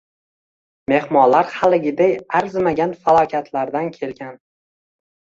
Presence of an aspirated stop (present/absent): present